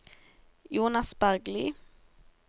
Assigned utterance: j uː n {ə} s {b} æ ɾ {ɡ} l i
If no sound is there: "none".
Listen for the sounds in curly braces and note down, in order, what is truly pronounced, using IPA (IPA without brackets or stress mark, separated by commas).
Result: a, b, ɡ